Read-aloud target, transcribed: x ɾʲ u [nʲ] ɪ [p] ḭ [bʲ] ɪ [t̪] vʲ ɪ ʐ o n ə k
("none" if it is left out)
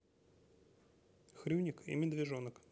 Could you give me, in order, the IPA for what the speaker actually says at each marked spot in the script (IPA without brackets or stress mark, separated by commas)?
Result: nʲ, k, mʲ, d̪